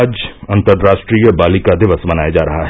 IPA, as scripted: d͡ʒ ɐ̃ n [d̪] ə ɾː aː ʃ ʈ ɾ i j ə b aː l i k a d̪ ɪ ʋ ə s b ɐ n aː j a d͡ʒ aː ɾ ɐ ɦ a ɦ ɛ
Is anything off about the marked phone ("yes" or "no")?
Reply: yes